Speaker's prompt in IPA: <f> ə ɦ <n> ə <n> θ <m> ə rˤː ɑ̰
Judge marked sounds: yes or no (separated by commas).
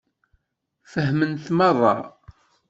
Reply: yes, no, yes, yes